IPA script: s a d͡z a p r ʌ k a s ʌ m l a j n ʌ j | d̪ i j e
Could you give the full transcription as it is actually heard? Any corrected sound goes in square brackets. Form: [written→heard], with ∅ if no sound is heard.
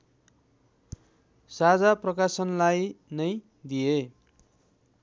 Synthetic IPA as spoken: s a d͡z a p r ʌ k a s ʌ [m→n] l a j n ʌ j | d̪ i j e